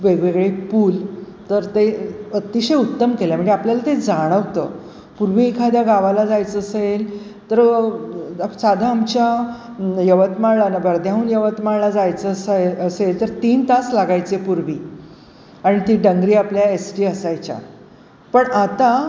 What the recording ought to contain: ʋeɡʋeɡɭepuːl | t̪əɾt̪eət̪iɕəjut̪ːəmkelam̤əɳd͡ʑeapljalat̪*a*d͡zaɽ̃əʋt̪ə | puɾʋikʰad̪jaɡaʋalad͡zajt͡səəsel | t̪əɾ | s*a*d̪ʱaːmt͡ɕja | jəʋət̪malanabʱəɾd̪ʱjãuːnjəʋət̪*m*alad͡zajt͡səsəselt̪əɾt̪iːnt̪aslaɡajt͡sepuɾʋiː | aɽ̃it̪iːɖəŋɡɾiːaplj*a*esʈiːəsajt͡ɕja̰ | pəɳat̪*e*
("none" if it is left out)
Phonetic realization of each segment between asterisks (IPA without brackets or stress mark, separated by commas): e, a, m, a, a